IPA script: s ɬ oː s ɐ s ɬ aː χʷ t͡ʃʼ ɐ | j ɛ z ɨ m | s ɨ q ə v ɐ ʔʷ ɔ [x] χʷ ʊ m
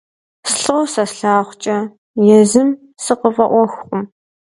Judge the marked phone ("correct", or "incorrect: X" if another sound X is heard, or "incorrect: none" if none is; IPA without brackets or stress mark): correct